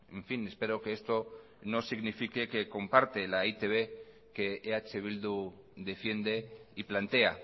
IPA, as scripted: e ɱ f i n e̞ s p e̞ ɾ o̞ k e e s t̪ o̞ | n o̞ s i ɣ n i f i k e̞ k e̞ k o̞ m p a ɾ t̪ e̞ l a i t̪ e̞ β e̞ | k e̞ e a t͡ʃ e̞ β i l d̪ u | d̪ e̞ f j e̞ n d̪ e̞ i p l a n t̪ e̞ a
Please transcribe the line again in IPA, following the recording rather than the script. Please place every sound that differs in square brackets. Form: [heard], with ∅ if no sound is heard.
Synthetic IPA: e ɱ f i n e̞ s p e̞ ɾ o̞ k e e s t̪ o̞ | n o̞ s i ɣ n i f i k e̞ k e̞ k o̞ m p a ɾ t̪ e̞ l a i t̪ e̞ β e̞ | k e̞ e a t͡ʃ e̞ β i l d̪ u | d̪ e̞ f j e̞ n d̪ e̞ i p l a n t̪ e̞ a